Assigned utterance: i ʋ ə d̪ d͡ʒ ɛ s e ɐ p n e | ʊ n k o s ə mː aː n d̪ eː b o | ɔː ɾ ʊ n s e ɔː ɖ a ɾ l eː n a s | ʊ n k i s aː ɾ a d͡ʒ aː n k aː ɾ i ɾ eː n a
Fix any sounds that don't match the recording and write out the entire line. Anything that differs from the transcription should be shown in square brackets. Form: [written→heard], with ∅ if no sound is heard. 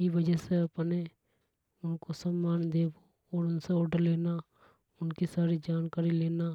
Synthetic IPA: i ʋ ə [d̪→∅] d͡ʒ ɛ s e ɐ p n e | ʊ n k o s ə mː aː n d̪ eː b o | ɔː ɾ ʊ n s e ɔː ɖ [a→ə] ɾ l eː n a [s→∅] | ʊ n k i s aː ɾ [a→i] d͡ʒ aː n k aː ɾ i [ɾ→l] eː n a